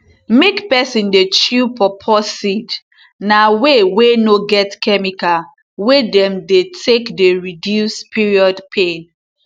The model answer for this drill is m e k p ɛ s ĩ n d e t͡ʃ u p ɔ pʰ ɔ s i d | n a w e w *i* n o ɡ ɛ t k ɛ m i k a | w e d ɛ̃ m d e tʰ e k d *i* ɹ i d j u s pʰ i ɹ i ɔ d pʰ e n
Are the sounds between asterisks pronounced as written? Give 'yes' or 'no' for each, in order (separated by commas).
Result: no, no